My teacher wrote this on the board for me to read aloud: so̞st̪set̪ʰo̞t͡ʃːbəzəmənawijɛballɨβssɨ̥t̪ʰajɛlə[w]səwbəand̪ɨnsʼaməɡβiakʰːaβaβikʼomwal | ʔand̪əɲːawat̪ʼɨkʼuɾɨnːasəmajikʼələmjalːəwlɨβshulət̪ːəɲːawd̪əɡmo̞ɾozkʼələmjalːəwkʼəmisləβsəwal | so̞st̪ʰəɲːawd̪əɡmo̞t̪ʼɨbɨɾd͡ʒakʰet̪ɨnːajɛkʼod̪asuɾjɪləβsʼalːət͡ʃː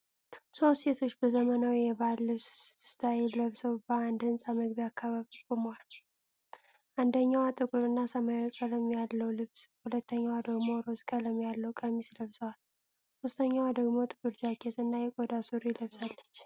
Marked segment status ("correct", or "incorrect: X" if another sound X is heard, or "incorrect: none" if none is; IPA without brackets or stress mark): incorrect: β